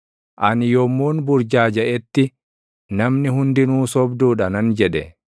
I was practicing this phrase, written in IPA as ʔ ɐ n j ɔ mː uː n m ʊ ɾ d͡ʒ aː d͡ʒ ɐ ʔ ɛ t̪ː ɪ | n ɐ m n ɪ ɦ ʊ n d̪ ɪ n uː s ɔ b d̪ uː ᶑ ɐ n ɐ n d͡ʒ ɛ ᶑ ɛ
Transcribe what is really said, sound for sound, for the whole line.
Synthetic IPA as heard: ʔ ɐ n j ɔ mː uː n b ʊ ɾ d͡ʒ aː d͡ʒ ɐ ʔ ɛ t̪ː ɪ | n ɐ m n ɪ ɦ ʊ n d̪ ɪ n uː s ɔ b d̪ uː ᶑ ɐ n ɐ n d͡ʒ ɛ ᶑ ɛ